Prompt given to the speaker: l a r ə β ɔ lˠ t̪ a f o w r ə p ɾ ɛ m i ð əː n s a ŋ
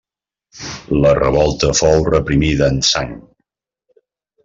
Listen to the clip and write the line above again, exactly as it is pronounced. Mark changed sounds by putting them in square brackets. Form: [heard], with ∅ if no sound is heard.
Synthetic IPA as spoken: l [ə] r ə β ɔ lˠ t̪ [ə] f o w r ə p ɾ [i] m i ð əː n s a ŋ